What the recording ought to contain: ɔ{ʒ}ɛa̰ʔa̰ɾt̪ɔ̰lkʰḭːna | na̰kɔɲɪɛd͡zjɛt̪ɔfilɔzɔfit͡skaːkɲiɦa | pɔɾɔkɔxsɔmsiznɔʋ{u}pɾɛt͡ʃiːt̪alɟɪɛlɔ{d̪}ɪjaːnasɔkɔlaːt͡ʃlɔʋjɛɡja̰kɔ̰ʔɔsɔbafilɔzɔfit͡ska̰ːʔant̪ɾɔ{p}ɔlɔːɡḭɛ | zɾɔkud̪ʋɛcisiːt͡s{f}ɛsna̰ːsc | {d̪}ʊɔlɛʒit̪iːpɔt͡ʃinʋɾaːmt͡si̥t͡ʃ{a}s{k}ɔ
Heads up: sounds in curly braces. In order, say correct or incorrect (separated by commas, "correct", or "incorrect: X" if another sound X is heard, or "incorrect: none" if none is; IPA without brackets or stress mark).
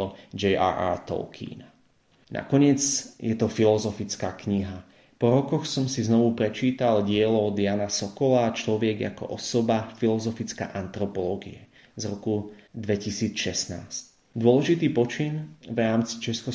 incorrect: d͡ʒ, correct, correct, correct, incorrect: ʃ, correct, incorrect: ɛ, correct